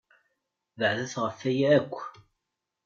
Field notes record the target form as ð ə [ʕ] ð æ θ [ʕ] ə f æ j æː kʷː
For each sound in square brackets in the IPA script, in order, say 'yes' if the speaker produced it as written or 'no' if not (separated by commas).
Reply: yes, no